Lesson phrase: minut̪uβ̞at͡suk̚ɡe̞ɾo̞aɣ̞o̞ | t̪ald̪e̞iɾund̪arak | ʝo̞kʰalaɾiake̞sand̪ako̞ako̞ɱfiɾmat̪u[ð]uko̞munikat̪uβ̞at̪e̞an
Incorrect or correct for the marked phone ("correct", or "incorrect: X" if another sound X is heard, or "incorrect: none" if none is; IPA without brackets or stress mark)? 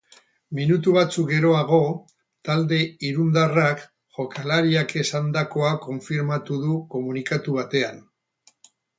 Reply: correct